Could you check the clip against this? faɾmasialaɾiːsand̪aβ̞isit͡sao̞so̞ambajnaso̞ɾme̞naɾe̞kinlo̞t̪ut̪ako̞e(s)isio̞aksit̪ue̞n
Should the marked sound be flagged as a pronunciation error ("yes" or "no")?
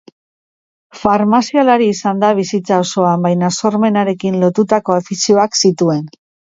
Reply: yes